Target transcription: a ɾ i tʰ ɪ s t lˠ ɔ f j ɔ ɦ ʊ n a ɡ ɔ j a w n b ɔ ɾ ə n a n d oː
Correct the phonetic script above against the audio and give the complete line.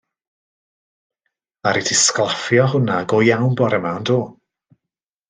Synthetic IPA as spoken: a ɾ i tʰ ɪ s k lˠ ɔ f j ɔ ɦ ʊ n a ɡ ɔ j a w n b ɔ ɾ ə m a n d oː